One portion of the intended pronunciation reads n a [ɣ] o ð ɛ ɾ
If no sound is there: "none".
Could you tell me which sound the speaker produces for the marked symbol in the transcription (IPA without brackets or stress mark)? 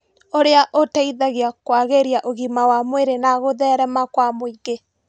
ɣ